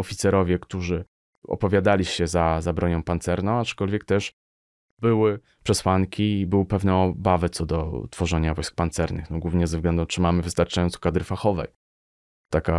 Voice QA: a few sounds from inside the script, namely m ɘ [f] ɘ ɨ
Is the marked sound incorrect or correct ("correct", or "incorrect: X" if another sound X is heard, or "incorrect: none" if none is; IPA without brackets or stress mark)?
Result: incorrect: v